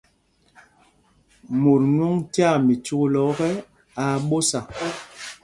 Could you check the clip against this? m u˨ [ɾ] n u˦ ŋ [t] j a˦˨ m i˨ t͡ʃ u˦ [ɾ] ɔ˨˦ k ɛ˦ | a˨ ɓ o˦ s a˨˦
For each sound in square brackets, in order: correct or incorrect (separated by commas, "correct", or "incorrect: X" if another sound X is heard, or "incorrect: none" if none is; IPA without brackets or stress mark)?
correct, correct, incorrect: l